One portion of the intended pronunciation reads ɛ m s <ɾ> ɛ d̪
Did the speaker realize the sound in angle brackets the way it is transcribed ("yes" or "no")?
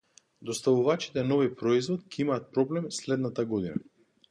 no